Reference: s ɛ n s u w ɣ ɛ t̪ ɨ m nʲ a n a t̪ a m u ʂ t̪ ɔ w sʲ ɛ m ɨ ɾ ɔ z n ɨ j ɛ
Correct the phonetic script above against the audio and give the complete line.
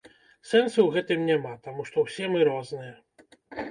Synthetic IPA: s ɛ n s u w ɣ ɛ t̪ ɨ m nʲ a m a t̪ a m u ʂ t̪ ɔ w sʲ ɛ m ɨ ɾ ɔ z n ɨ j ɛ